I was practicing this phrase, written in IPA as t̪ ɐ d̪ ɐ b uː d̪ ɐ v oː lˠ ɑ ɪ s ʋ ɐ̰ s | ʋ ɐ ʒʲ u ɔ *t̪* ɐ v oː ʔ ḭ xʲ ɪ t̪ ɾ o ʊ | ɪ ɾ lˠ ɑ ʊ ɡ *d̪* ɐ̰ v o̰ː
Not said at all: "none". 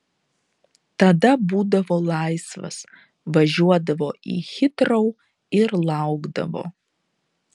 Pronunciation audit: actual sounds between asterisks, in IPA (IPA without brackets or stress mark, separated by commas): d̪, d̪